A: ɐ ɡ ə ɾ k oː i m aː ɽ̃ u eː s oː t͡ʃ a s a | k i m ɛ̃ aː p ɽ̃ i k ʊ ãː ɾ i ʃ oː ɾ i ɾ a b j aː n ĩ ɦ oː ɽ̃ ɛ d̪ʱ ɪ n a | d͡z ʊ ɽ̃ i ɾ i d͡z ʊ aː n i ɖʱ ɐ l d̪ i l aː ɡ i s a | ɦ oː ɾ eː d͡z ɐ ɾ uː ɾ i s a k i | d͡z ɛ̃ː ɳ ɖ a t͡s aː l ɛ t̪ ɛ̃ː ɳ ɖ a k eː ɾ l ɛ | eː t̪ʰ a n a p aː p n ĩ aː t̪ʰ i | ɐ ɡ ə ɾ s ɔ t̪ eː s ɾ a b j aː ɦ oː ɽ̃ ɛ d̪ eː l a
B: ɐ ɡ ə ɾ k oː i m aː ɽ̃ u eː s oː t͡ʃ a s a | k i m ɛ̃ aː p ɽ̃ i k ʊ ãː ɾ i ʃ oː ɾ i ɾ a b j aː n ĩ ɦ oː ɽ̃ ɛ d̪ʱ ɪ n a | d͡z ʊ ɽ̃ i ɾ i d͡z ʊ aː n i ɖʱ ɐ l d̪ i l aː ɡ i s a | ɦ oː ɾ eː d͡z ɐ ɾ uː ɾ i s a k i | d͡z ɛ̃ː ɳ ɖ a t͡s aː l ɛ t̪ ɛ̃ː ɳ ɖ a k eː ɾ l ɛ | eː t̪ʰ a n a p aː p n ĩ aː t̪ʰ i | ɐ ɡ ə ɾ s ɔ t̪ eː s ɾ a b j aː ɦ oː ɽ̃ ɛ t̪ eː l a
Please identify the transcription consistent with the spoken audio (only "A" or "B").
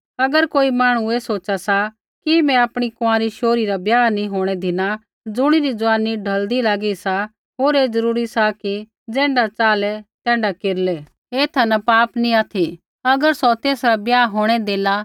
A